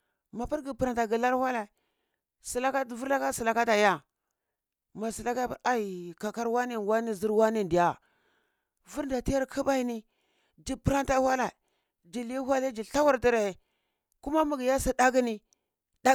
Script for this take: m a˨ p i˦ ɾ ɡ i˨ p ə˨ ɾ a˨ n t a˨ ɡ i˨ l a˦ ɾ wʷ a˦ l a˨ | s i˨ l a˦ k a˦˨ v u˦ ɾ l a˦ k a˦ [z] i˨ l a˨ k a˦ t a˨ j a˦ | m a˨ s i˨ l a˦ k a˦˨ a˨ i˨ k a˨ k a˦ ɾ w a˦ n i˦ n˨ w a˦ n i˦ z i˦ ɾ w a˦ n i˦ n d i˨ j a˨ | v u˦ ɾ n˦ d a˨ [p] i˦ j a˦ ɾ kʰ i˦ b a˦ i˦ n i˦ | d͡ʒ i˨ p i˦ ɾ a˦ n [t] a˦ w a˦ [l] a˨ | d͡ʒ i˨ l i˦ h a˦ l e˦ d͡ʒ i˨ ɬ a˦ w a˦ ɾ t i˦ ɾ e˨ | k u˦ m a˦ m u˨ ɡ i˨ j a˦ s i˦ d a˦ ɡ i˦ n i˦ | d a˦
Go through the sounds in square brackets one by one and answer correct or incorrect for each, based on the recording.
incorrect, incorrect, correct, correct

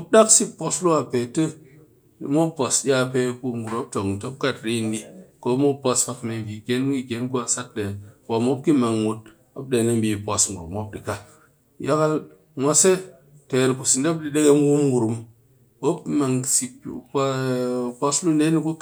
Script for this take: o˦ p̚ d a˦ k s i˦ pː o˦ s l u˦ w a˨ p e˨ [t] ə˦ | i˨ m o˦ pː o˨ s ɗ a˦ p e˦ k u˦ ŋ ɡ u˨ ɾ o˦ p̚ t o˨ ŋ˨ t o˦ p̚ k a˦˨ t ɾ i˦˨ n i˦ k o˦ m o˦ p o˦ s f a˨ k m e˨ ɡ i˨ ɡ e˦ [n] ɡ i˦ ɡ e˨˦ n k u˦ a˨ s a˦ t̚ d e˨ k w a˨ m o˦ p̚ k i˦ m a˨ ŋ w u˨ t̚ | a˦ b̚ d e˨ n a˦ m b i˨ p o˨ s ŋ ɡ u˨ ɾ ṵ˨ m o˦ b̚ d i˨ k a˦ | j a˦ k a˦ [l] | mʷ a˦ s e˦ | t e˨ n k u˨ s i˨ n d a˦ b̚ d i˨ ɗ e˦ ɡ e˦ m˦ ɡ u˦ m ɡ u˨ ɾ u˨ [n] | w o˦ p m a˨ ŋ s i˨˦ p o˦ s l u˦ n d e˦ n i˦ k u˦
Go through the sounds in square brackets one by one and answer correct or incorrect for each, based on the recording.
correct, correct, correct, incorrect

